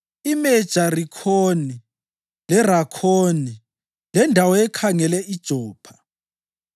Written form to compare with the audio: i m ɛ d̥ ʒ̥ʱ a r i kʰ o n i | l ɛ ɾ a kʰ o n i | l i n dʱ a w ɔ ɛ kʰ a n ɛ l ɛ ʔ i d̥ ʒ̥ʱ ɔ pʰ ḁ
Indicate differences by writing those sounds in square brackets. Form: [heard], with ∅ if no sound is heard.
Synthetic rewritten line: i m ɛ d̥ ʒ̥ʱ a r i kʰ o n i | l ɛ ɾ a kʰ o n i | l [ɛ] n dʱ a w ɔ ɛ kʰ a [ŋ] ɛ l ɛ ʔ i d̥ ʒ̥ʱ [ɔː] pʰ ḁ